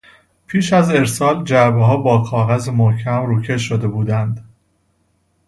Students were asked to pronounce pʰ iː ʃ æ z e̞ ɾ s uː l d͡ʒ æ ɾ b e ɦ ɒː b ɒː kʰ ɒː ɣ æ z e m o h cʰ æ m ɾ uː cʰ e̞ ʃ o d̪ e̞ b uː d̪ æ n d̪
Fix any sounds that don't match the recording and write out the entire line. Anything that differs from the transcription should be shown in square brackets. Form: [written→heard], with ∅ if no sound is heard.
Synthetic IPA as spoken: pʰ iː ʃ æ z e̞ ɾ s [uː→ɒː] l d͡ʒ æ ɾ b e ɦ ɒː b ɒː kʰ ɒː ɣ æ z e m o h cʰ æ m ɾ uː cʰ e̞ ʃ o d̪ e̞ b uː d̪ æ n d̪